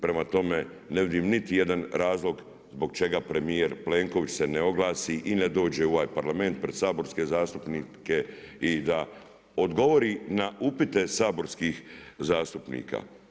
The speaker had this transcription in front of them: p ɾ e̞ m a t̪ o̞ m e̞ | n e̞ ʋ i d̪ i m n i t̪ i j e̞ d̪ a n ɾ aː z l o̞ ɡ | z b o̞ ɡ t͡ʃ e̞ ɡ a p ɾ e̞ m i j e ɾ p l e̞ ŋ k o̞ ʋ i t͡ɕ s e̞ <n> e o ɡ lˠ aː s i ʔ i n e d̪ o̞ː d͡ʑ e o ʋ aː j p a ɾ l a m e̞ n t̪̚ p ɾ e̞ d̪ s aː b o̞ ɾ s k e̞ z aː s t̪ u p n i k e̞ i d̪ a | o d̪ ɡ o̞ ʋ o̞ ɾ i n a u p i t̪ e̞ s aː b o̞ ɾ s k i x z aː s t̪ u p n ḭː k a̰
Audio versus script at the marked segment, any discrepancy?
no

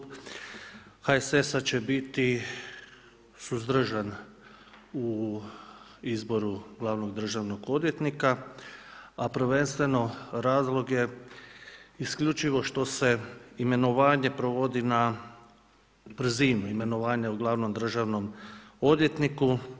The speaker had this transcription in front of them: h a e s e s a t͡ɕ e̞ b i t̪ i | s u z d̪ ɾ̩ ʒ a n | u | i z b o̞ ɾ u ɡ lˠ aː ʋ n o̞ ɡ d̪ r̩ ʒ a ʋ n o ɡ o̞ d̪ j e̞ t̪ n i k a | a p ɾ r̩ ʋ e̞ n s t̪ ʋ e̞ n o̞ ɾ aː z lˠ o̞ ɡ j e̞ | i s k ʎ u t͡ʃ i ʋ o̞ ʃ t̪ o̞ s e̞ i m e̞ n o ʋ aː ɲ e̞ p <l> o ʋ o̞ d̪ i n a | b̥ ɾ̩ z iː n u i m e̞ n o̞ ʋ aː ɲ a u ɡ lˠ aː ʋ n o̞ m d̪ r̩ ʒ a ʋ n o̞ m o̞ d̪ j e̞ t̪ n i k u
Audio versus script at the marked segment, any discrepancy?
yes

